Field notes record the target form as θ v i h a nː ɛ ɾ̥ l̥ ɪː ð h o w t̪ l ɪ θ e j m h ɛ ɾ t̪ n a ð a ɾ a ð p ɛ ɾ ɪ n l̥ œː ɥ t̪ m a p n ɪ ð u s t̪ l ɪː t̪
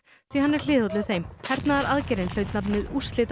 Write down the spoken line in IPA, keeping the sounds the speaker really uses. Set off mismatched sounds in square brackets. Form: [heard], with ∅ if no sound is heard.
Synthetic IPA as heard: θ v i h a nː ɛ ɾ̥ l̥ ɪː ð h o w t̪ l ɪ θ e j m h ɛ ɾ t̪ n a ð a ɾ a ð [c] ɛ ɾ ɪ n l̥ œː ɥ t̪ [n] a p n ɪ ð u s t̪ l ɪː t̪